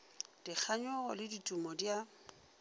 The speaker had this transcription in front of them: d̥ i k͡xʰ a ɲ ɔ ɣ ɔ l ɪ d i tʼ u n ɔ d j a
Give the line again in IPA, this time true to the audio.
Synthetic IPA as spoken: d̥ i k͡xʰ a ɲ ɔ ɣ ɔ l ɪ d i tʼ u m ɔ d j a